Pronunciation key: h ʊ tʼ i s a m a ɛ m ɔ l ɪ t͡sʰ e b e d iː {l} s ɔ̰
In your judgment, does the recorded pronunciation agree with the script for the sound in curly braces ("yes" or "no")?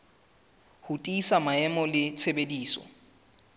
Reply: no